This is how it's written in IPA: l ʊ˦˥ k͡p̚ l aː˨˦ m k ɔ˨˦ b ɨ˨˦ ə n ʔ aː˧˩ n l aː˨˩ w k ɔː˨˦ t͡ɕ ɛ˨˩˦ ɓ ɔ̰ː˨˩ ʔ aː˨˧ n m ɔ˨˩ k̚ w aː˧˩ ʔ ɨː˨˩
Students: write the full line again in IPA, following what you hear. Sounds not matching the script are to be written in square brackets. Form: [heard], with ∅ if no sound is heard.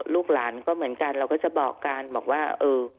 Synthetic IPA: l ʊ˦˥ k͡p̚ l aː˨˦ [n] k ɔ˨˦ [m] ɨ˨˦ ə n [k] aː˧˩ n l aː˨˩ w k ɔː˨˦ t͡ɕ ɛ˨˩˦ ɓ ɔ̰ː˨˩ [k] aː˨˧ n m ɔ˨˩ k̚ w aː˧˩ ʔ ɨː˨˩